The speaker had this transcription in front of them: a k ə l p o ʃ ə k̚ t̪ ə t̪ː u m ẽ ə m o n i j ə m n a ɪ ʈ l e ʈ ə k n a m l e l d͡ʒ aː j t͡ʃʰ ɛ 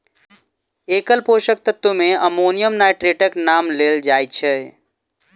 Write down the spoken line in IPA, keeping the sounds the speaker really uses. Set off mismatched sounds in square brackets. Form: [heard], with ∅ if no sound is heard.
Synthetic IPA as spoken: [e] k ə l p o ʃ ə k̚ t̪ ə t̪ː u m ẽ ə m o n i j ə m n a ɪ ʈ [ɾ] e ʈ ə k n a m l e l d͡ʒ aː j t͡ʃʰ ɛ